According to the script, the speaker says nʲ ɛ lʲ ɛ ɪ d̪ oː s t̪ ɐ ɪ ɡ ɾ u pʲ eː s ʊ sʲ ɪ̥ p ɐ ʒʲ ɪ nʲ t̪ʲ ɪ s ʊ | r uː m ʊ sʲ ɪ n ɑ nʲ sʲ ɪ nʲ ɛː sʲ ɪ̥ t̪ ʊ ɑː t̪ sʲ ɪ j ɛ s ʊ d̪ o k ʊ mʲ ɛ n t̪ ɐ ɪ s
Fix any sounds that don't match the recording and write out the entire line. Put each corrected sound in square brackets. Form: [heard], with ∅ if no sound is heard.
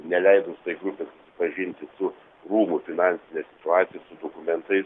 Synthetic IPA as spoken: nʲ ɛ lʲ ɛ ɪ d̪ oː s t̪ ɐ ɪ ɡ ɾ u pʲ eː s ʊ sʲ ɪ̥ p ɐ ʒʲ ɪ nʲ t̪ʲ ɪ s ʊ | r uː m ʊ [fʲ] ɪ n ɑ nʲ sʲ ɪ nʲ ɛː sʲ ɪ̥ t̪ ʊ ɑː t̪ sʲ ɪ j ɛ s ʊ d̪ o k ʊ mʲ ɛ n t̪ ɐ ɪ s